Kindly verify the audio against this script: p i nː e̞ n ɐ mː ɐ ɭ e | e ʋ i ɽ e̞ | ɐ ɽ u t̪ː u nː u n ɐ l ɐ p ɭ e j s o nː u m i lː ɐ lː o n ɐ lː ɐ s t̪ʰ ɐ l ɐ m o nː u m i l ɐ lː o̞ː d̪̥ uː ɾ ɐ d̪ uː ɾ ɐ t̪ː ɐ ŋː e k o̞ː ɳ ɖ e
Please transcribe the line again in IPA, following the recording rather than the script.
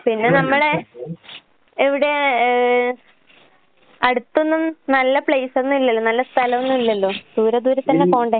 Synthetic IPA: p i nː e̞ n ɐ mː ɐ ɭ e | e ʋ i ɽ e̞ | ɐ ɽ u t̪ː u nː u n ɐ lː ɐ p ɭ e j s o nː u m i lː ɐ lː o n ɐ lː ɐ s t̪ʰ ɐ l ɐ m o nː u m i lː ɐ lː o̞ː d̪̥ uː ɾ ɐ d̪ uː ɾ ɐ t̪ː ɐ nː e k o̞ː ɳ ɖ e

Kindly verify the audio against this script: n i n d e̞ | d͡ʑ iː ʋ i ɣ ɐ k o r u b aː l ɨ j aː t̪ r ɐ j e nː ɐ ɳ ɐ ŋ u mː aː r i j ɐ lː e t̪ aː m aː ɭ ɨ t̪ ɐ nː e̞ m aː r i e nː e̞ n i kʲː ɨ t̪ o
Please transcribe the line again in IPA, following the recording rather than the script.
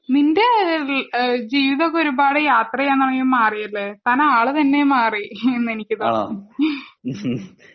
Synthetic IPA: n i n d e̞ | d͡ʑ iː ʋ i ð ɐ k o ɾ u b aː ɽ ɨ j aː t̪ r ɐ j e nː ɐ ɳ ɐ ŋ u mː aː r i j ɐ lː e t̪ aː n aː ɭ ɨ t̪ ɐ nː e̞ m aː r i e nː e̞ n i kʲː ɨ t̪ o

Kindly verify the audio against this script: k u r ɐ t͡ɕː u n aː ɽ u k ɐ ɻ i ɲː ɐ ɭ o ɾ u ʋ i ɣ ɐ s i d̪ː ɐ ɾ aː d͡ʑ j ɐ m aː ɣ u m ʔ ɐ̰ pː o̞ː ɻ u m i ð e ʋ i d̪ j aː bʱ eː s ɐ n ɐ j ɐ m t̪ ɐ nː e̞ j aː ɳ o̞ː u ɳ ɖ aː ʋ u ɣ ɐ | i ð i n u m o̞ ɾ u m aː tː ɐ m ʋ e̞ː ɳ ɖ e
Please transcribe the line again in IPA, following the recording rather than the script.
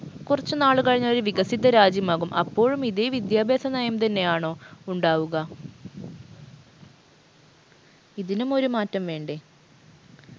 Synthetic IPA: k u r ɐ t͡ɕː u n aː ɭ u k ɐ ɻ i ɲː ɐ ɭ o ɾ u ʋ i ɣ ɐ s i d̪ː ɐ ɾ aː d͡ʑ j ɐ m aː ɣ u m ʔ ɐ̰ pː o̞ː ɻ u m i ð e ʋ i d̪ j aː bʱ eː s ɐ n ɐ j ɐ m t̪ ɐ nː e̞ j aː ɳ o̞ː u ɳ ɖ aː ʋ u ɣ ɐ | i ð i n u m o̞ ɾ u m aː tː ɐ m ʋ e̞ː ɳ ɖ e

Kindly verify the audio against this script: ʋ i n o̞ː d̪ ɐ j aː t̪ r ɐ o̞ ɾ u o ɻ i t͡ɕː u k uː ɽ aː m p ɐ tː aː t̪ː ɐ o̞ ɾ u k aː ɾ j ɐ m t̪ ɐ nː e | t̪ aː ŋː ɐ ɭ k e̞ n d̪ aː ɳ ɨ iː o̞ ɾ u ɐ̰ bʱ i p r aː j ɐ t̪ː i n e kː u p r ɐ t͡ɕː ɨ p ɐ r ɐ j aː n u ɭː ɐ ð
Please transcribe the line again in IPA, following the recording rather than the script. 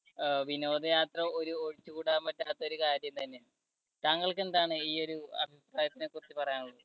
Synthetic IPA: ʋ i n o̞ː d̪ ɐ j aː t̪ r ɐ o̞ ɾ u o ɻ i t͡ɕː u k uː ɽ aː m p ɐ tː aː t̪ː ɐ o̞ ɾ u k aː ɾ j ɐ m t̪ ɐ nː e | t̪ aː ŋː ɐ ɭ k e̞ n d̪ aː ɳ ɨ iː o̞ ɾ u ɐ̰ bʱ i p r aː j ɐ t̪ː i n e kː u r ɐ t͡ɕː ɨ p ɐ r ɐ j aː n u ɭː ɐ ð

